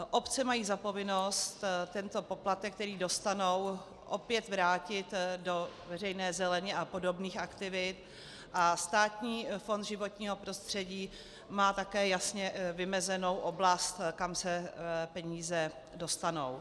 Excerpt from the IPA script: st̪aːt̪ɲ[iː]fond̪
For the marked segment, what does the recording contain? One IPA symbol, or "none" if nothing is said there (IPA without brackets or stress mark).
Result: iː